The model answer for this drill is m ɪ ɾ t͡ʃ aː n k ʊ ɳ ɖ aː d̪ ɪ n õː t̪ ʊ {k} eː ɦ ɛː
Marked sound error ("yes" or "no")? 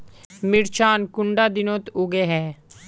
yes